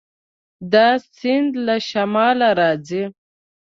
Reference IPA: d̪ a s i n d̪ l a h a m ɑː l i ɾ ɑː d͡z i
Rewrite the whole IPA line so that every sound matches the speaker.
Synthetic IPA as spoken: d̪ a s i n d̪ l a ʃ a m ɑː l a ɾ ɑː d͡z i